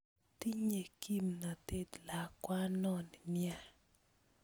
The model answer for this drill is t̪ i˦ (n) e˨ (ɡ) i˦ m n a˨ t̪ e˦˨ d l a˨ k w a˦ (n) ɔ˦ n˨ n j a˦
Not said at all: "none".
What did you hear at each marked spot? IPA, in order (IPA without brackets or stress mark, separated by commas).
ɲ, k, n